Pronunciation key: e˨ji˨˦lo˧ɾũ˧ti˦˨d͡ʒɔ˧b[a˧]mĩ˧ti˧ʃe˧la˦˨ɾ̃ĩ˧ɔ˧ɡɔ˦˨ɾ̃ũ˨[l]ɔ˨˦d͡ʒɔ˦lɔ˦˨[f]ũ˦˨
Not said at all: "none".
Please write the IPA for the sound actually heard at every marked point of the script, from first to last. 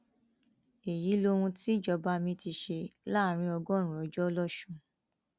a˧, none, ʃ

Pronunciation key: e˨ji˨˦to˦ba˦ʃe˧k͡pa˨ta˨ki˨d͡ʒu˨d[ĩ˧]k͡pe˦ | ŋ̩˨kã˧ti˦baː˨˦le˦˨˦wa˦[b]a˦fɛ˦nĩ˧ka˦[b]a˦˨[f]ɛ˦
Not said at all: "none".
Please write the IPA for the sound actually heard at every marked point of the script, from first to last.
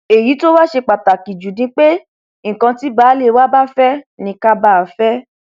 ĩ˧, b, b, f

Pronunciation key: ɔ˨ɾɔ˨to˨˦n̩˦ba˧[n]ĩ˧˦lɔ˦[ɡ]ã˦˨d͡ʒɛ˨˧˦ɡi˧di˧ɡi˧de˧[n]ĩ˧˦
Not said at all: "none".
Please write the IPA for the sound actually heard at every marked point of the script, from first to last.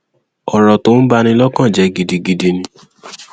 n, k, n

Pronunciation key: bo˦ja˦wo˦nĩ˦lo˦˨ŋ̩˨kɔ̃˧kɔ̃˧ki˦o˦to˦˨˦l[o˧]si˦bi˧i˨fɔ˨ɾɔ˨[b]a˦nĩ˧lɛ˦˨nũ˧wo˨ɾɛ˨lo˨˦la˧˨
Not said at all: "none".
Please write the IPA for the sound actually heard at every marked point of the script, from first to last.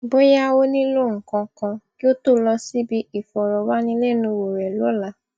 ɔ˧, w

